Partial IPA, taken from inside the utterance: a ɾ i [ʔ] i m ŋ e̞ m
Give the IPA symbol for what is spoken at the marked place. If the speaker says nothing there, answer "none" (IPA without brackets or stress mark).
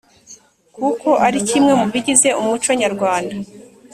c